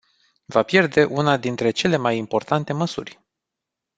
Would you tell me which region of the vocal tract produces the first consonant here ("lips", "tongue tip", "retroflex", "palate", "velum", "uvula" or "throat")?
lips